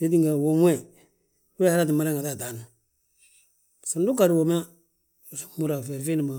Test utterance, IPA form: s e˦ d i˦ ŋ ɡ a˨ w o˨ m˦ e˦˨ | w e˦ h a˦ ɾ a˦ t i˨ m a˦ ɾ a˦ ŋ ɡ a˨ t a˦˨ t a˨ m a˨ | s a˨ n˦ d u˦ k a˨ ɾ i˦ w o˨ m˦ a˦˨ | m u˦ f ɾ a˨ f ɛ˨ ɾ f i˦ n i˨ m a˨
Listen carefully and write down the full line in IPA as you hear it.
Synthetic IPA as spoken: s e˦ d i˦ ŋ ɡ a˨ w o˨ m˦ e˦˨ | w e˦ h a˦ ɾ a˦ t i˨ m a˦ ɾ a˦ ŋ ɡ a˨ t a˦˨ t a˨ n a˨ | s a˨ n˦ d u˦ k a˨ ɾ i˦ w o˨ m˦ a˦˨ | m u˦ ɾ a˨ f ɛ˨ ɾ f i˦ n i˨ m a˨